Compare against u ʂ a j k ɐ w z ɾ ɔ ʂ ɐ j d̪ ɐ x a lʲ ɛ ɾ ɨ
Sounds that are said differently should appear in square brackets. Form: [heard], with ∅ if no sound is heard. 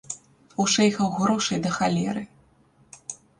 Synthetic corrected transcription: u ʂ [ɛ] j [x] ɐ w [ɣ] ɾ ɔ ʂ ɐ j d̪ ɐ x a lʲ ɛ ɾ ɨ